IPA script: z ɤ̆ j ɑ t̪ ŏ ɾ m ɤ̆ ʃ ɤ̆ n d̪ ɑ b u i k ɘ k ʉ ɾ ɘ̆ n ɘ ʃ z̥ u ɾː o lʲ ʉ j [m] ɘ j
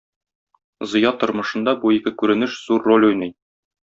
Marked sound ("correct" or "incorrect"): incorrect